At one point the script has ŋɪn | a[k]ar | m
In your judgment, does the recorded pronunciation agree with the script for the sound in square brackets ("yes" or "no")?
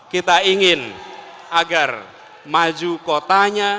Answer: no